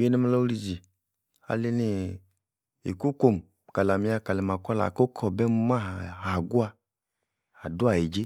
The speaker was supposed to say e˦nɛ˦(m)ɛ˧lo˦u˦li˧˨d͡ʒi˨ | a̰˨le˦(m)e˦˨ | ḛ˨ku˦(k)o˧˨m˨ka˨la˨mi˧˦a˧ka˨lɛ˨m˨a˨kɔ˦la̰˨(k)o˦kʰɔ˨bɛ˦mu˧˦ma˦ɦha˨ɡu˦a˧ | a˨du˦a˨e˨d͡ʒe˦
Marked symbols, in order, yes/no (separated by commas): yes, no, yes, yes